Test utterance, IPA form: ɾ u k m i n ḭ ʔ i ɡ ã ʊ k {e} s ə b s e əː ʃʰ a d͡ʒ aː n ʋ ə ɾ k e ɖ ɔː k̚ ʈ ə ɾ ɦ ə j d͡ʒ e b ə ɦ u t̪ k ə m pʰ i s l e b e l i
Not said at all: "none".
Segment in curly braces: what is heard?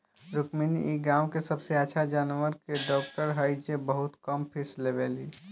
e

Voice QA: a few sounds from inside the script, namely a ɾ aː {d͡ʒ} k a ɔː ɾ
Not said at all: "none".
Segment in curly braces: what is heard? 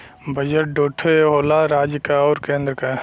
d͡ʒ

